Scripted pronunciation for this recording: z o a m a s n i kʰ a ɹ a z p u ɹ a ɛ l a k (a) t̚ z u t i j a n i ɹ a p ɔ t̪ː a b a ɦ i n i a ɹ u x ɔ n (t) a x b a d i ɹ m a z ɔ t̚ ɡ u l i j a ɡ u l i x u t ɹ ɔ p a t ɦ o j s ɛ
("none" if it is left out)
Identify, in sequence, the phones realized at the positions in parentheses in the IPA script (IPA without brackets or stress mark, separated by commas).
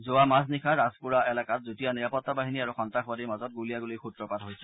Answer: a, t